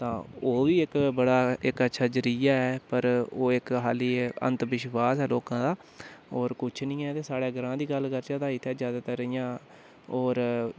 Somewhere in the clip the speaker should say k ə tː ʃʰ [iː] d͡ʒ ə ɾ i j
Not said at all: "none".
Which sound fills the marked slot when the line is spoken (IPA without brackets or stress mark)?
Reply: aː